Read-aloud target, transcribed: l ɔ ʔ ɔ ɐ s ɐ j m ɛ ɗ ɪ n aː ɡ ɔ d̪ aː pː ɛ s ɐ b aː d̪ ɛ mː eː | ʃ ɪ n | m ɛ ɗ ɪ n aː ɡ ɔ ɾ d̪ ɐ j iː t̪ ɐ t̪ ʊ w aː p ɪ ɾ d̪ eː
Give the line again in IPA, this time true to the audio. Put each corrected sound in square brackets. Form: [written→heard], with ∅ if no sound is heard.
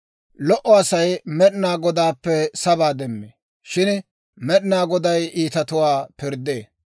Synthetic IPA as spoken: l ɔ ʔ ɔ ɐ s ɐ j m ɛ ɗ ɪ n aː ɡ ɔ d̪ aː pː ɛ s ɐ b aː d̪ ɛ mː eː | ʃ ɪ n | m ɛ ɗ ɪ n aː ɡ ɔ [ɾ→∅] d̪ ɐ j iː t̪ ɐ t̪ ʊ w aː p ɪ ɾ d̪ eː